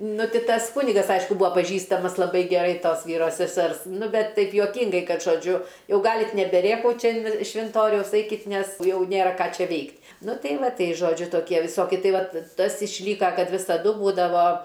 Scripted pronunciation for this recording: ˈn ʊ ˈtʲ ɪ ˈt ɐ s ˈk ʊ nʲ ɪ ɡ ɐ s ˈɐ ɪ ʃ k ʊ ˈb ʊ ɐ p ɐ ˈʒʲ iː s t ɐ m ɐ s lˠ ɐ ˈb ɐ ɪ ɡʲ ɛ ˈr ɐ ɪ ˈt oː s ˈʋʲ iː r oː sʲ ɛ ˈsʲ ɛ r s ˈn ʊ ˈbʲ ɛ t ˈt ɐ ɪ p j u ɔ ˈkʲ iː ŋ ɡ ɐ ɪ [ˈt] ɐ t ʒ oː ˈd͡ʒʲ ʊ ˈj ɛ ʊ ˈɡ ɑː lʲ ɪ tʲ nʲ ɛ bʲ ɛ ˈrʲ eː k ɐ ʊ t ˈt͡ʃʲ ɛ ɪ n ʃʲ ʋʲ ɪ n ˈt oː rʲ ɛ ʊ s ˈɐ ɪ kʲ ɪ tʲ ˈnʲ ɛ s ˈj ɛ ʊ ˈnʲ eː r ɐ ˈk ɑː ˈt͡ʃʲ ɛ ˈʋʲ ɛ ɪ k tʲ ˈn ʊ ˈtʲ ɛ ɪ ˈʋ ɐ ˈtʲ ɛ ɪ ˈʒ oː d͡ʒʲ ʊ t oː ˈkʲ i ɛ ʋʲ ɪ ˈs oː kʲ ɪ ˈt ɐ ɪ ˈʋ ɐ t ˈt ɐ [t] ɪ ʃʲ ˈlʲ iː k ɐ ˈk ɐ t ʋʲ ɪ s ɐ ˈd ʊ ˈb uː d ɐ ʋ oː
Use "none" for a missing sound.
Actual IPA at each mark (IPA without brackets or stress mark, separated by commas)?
k, s